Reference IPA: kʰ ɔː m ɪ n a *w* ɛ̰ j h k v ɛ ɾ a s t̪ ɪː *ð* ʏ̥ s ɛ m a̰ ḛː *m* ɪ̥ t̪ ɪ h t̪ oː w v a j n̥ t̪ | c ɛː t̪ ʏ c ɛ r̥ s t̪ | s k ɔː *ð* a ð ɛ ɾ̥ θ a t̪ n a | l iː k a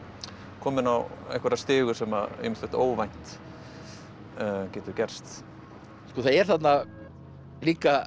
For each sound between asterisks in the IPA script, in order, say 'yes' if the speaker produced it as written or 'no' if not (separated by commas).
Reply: yes, no, yes, no